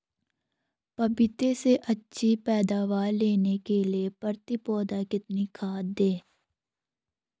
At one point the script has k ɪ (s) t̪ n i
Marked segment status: incorrect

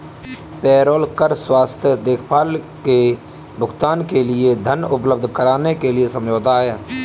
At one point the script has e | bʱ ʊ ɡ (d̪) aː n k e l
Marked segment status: incorrect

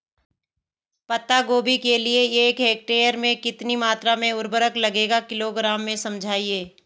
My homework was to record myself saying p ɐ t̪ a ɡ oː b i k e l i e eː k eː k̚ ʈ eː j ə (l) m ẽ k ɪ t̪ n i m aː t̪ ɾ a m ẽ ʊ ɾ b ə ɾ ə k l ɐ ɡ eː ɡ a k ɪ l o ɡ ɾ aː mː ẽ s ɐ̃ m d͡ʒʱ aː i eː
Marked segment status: incorrect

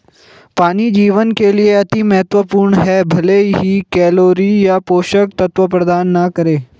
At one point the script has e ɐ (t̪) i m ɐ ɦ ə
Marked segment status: correct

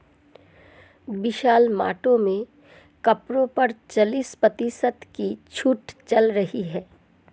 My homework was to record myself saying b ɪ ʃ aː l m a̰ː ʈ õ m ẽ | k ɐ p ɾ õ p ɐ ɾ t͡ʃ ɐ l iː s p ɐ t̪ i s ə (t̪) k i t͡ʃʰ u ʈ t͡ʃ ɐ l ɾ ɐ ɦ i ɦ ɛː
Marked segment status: correct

